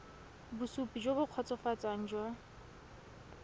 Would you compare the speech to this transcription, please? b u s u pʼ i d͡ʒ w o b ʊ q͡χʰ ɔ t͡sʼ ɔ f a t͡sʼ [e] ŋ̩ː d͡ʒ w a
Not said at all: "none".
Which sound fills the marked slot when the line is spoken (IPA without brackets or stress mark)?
a